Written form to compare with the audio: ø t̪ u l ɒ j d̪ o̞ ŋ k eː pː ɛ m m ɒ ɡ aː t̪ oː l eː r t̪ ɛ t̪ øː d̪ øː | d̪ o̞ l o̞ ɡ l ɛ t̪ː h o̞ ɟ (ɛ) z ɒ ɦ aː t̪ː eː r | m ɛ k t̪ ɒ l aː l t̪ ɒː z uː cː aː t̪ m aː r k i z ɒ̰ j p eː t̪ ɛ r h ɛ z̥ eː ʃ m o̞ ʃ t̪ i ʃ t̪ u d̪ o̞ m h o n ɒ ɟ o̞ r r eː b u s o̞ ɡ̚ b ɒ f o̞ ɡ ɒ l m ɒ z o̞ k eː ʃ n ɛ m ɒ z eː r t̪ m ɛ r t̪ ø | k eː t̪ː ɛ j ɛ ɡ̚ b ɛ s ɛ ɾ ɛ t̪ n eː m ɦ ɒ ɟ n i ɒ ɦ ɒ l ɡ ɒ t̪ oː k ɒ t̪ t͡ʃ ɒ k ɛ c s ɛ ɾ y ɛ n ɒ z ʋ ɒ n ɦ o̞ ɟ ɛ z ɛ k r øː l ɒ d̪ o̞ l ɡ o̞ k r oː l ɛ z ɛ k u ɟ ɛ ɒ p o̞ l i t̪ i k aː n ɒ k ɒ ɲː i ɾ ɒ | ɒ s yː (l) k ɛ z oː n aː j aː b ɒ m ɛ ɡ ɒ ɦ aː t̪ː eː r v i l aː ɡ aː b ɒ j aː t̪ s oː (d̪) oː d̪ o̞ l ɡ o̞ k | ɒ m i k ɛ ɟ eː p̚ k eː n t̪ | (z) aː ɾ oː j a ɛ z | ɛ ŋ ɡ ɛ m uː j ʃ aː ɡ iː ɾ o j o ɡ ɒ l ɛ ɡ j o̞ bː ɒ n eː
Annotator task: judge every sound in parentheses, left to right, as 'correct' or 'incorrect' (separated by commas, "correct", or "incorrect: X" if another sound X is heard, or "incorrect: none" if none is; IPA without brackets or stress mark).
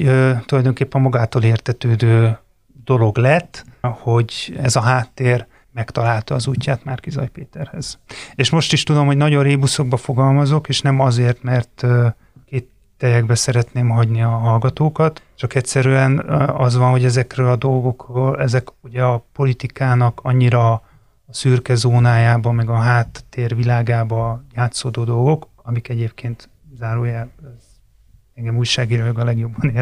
correct, incorrect: r, correct, correct